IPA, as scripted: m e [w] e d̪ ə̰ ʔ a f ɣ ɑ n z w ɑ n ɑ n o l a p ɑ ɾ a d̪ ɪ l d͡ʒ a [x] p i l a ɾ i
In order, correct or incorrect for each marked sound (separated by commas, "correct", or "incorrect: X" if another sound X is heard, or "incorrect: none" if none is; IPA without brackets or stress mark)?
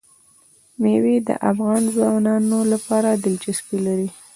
correct, incorrect: s